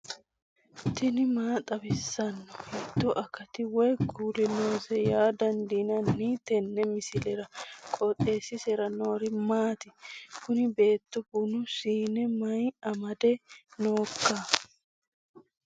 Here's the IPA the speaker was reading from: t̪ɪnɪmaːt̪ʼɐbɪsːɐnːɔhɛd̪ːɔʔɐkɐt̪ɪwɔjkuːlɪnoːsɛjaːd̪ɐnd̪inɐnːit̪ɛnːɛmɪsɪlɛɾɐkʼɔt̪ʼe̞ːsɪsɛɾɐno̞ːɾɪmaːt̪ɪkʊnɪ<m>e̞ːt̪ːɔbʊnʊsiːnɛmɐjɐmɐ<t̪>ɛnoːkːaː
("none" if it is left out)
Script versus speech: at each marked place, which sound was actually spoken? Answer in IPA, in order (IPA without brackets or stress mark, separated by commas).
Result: b, d̪